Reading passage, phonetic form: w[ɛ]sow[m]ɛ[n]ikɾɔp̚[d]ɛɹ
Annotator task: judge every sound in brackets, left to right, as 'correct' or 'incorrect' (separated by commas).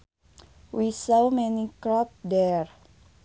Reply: incorrect, correct, correct, correct